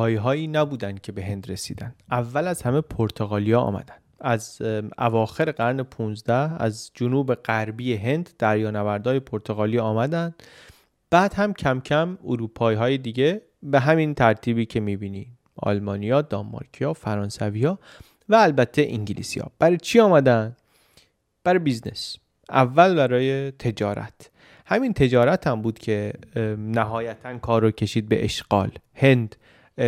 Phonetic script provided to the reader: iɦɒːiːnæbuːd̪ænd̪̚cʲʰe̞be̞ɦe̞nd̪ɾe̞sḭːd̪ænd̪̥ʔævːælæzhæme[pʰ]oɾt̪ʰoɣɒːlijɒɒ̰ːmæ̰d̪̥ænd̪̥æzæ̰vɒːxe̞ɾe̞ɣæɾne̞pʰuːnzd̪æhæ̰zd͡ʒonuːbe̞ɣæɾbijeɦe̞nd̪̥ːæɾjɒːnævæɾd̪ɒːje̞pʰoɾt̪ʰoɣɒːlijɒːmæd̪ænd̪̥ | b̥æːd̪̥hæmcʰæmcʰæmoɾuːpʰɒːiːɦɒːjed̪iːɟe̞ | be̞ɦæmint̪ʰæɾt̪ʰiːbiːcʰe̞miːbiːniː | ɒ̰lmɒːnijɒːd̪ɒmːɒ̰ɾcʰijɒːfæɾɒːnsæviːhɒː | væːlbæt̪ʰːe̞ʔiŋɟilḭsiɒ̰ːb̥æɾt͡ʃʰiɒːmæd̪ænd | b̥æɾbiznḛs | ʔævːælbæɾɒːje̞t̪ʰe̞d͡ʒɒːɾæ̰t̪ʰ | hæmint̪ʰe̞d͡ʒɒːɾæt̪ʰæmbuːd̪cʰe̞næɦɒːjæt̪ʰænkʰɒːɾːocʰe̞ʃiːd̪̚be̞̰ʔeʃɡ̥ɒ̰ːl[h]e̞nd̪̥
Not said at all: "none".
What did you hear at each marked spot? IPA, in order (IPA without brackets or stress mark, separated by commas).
pʰ, h